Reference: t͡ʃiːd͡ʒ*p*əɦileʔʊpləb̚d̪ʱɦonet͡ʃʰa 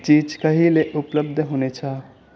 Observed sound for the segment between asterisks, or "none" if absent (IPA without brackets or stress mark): k